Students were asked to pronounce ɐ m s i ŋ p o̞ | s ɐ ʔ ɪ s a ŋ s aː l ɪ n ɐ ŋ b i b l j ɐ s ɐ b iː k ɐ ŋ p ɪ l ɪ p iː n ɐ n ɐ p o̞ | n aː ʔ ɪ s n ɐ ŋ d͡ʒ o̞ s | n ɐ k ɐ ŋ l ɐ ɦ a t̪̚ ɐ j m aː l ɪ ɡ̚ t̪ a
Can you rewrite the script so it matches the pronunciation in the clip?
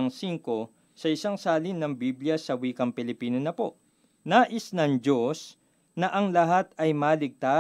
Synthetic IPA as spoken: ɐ ŋ s i ŋ k o̞ | s ɐ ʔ ɪ s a ŋ s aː l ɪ n ɐ ŋ b i b l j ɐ s ɐ w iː k ɐ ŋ p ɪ l ɪ p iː n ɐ n ɐ p o̞ | n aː ʔ ɪ s n ɐ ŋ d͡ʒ o̞ s | n ɐ ʔ ɐ ŋ l ɐ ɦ a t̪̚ ɐ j m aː l ɪ ɡ̚ t̪ a